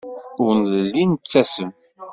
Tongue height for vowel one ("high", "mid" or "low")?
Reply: high